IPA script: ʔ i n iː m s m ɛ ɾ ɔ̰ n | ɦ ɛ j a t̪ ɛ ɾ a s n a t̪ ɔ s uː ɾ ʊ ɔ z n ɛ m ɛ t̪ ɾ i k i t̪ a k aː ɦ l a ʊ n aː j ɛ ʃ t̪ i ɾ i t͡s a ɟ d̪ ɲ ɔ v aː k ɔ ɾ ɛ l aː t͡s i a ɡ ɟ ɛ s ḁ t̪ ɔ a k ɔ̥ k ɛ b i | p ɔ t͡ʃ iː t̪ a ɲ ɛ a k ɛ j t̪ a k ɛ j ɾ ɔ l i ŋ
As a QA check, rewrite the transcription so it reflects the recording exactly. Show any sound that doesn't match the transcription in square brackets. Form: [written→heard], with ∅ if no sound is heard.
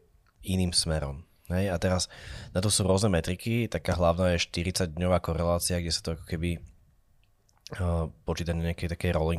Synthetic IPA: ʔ i n iː m s m ɛ ɾ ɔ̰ [n→m] | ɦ ɛ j a t̪ ɛ ɾ a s n a t̪ ɔ s uː ɾ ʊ ɔ z n ɛ m ɛ t̪ ɾ i k i t̪ a k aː ɦ l a ʊ n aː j ɛ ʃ t̪ i ɾ i t͡s a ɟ d̪ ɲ ɔ [v→ʋ] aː k ɔ ɾ ɛ l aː t͡s i a ɡ ɟ ɛ s ḁ t̪ ɔ a k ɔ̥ k ɛ b i | p ɔ t͡ʃ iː t̪ a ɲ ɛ a k ɛ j t̪ a k ɛ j ɾ ɔ l i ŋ